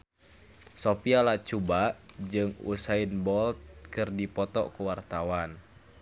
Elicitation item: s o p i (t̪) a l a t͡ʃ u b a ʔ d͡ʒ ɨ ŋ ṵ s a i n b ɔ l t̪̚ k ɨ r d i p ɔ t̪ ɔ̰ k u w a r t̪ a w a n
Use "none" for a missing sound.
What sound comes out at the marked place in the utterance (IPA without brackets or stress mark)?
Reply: none